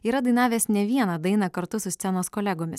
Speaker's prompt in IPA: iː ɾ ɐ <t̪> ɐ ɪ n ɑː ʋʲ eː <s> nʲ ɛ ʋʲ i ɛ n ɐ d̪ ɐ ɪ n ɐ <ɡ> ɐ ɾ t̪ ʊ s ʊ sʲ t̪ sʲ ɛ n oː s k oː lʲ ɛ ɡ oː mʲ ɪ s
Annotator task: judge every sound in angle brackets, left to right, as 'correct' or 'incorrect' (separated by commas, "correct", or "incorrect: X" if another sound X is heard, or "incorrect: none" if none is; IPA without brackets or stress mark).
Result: incorrect: d̪, correct, incorrect: k